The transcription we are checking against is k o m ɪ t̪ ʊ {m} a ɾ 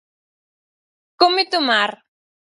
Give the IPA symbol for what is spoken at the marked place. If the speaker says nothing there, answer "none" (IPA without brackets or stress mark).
m